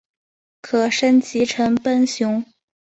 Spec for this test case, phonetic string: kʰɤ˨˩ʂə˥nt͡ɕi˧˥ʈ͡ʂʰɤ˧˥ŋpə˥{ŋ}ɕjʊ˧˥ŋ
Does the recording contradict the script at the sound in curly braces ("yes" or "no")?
yes